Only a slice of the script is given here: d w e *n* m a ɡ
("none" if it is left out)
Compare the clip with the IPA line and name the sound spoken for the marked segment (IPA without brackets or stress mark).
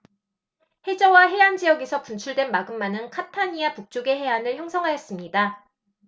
n